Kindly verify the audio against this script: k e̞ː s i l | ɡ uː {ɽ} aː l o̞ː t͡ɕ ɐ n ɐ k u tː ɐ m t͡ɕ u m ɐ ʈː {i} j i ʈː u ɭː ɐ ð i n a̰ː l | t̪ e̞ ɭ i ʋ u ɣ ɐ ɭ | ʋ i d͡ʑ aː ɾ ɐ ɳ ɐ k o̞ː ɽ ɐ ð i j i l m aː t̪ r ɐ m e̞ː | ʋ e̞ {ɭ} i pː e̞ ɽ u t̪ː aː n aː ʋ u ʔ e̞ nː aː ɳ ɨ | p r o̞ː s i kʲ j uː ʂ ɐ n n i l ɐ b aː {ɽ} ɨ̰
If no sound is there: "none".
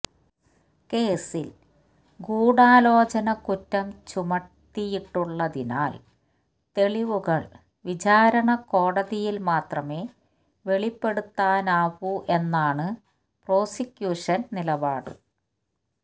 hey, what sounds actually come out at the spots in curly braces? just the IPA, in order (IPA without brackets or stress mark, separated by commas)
ɽ, i, ɭ, ɽ